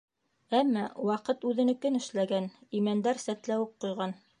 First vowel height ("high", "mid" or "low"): low